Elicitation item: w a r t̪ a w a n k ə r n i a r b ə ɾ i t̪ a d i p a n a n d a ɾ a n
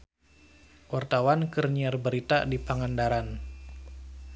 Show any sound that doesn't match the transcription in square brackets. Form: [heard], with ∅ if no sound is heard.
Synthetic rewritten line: w a r t̪ a w a n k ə r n i a r b ə ɾ i t̪ a d i p a [ŋ] a n d a ɾ a n